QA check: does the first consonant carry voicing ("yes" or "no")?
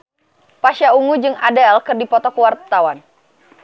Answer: no